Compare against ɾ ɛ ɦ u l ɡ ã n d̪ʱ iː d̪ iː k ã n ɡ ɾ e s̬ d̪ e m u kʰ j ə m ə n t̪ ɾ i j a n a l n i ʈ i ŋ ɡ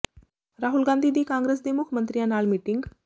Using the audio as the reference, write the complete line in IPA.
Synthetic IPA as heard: ɾ a ɦ u l ɡ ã n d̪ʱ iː d̪ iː k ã ŋ ɡ ɾ e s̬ d̪ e m u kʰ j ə m ə n t̪ ɾ i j a n a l m i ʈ i ŋ ɡ